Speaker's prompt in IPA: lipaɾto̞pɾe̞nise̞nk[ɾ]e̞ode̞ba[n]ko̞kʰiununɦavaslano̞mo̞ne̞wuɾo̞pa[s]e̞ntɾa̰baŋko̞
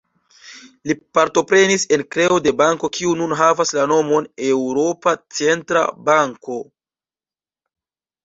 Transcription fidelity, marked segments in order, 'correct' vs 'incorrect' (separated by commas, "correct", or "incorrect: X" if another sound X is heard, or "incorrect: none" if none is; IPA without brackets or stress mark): correct, incorrect: ŋ, incorrect: t͡s